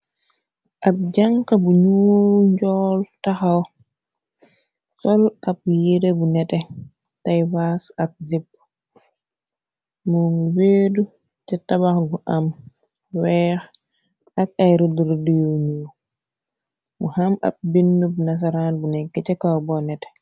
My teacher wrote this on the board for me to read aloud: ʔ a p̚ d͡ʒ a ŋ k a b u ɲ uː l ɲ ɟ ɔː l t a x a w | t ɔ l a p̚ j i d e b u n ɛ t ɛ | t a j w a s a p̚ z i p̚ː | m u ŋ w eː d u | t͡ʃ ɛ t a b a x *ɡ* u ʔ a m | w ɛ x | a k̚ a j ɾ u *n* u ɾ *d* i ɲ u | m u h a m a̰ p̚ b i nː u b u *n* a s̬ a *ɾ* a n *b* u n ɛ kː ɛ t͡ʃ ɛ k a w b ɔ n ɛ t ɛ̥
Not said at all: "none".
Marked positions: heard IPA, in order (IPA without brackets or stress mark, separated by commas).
ɡ, d, d, n, ɾ, b